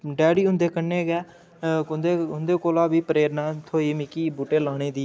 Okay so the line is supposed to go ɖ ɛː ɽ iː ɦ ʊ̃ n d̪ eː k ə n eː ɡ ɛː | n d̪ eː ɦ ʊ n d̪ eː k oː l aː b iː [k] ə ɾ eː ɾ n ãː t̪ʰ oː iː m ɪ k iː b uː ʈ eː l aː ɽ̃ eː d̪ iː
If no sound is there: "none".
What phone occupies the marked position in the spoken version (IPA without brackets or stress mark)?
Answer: p